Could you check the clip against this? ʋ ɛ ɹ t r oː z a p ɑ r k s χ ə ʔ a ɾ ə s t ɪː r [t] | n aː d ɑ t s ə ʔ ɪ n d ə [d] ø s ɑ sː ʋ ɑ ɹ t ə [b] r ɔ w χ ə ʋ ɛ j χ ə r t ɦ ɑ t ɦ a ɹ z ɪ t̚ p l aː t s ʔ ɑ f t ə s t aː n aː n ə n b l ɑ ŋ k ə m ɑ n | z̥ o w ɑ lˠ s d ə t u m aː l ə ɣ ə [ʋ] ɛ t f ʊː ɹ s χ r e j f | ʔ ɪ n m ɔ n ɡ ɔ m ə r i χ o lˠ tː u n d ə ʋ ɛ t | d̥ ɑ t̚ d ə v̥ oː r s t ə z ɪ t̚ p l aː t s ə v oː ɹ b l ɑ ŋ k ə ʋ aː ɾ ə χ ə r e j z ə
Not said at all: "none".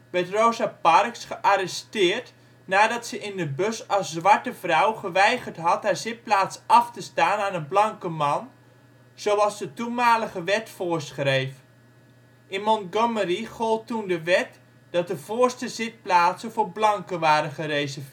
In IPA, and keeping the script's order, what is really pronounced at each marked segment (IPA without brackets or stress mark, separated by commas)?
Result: t, b, v, ʋ